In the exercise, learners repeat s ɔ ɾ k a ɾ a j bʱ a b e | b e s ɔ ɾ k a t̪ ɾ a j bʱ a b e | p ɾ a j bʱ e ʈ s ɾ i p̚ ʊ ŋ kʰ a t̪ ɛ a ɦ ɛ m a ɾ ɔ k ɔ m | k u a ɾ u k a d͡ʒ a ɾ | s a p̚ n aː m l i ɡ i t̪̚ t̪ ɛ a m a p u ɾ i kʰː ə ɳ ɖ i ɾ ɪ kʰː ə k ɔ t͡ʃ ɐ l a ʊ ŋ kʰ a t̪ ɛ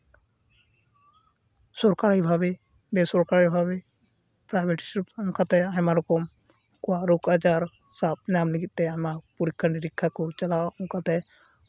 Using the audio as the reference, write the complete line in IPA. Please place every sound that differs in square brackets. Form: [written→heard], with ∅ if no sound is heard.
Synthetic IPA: s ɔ ɾ k a ɾ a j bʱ a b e | b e s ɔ ɾ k a [t̪→∅] ɾ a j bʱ a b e | p ɾ a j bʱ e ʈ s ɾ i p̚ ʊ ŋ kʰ a t̪ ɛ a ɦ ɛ m a ɾ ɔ k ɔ m | k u a ɾ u k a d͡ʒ a ɾ | s a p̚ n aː m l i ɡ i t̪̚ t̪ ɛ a m a p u ɾ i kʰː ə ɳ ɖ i ɾ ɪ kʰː [ə→a] k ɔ t͡ʃ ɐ l a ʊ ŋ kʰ a t̪ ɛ